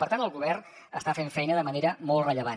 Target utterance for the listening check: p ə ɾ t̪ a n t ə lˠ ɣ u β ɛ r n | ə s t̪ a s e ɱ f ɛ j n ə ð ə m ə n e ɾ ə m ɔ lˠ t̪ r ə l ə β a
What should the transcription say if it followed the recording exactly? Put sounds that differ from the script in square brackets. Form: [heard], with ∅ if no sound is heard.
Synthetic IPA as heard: p ə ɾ t̪ a n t ə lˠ ɣ u β ɛ r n | ə s t̪ a [f] e ɱ f ɛ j n ə ð ə m ə n e ɾ ə m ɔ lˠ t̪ r ə [ʎ] ə β a